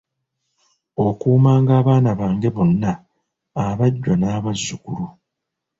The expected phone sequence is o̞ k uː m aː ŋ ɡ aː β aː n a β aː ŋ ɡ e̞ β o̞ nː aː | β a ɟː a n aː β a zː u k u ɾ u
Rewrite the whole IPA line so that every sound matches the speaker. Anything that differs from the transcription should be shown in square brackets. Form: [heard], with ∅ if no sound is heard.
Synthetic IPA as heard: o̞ k uː m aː ŋ ɡ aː β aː n a β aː ŋ ɡ e̞ β o̞ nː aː | β a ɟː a n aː β a zː u k u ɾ u